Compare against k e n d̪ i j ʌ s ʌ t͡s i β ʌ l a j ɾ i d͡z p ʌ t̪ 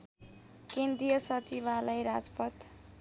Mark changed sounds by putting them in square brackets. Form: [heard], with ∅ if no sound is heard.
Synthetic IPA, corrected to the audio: k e n d̪ i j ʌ s ʌ t͡s i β [a] l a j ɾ [a] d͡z p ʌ t̪